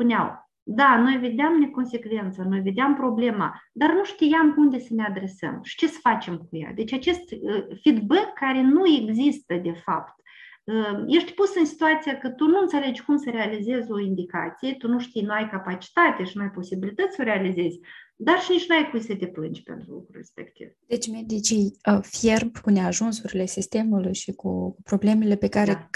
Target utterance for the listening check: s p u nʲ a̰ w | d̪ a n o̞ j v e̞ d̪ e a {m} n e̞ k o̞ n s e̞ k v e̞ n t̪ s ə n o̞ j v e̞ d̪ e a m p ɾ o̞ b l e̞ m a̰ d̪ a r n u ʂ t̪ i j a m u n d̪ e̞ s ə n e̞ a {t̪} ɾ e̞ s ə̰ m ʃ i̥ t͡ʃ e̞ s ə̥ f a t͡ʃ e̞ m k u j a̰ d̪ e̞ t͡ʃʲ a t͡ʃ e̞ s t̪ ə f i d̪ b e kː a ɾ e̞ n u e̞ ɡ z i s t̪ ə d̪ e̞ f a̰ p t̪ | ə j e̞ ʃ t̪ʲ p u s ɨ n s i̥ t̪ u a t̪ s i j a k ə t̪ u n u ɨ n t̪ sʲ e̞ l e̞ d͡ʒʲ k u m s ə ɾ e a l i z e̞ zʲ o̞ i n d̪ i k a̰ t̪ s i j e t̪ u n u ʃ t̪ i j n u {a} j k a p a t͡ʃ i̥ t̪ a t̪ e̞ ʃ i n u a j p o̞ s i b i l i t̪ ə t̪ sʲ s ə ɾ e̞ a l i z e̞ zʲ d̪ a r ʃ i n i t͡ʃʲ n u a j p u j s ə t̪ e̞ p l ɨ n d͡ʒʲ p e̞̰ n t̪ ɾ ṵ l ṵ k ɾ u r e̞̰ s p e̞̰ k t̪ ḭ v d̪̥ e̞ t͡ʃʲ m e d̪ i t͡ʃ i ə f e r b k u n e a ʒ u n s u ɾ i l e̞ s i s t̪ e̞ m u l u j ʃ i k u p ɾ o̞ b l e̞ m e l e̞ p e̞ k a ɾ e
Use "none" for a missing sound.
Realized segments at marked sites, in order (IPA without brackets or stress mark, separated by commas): m, d̪, a